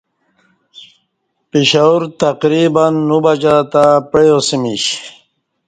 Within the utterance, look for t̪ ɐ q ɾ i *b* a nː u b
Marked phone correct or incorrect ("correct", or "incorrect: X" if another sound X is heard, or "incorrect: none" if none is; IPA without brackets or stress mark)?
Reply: correct